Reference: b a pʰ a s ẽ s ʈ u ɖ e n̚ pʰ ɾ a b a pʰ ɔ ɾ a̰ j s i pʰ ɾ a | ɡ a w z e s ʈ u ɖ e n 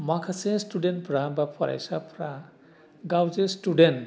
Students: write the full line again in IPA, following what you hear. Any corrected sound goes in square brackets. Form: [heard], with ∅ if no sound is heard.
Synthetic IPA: [m] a [kʰ] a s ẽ s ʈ u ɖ e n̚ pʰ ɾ a b a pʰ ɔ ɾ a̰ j s [a] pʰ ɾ a | ɡ a w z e s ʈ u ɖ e n